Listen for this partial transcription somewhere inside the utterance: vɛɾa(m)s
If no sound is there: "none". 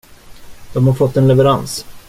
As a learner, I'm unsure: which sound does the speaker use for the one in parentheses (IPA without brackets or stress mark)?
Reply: n